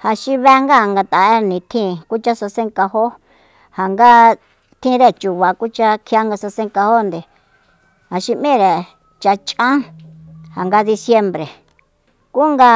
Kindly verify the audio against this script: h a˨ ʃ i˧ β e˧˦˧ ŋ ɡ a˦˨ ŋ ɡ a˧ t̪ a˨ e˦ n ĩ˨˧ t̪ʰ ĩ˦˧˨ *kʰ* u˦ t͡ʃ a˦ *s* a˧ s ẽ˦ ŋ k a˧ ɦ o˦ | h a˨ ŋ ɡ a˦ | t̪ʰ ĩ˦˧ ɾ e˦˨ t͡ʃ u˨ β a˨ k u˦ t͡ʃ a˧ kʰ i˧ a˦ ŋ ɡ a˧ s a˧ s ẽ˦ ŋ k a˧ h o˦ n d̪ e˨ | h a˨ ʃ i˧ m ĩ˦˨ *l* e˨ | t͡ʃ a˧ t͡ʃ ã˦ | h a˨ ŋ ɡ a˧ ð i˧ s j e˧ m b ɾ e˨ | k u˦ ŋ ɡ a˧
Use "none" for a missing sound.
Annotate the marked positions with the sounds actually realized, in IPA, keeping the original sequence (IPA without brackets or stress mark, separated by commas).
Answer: k, s, ɾ